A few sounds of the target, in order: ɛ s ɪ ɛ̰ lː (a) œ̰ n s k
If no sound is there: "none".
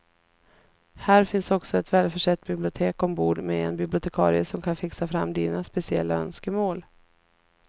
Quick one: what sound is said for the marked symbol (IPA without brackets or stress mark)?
a